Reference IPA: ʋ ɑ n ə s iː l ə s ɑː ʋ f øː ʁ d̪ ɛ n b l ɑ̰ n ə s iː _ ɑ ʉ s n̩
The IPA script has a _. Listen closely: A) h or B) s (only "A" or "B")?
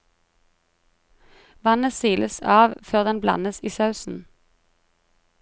B